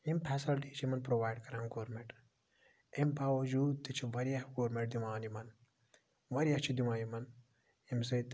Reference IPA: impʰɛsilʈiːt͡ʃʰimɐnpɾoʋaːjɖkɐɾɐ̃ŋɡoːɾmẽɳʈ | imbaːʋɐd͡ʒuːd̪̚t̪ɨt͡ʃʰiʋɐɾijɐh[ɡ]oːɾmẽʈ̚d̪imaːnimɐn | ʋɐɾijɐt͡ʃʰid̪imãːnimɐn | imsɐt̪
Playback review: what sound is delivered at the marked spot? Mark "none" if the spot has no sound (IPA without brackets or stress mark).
ɡ